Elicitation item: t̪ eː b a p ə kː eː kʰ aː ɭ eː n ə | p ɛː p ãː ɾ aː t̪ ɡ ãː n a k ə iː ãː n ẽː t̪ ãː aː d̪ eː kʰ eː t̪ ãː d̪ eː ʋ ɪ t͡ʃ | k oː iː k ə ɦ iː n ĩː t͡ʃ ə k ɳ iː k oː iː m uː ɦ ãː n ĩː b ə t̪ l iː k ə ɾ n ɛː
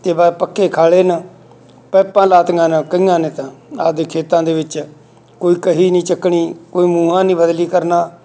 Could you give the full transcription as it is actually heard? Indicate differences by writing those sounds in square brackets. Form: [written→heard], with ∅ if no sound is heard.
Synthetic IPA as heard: t̪ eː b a p ə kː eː kʰ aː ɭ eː n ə | p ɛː p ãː [ɾ→l] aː t̪ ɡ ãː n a k ə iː ãː n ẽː t̪ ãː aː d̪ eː kʰ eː t̪ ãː d̪ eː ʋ ɪ t͡ʃ | k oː iː k ə ɦ iː n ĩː t͡ʃ ə k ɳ iː k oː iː m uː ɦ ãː n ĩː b ə [t̪→d̪] l iː k ə ɾ n [ɛː→aː]